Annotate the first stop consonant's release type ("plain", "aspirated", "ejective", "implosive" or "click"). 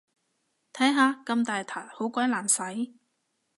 aspirated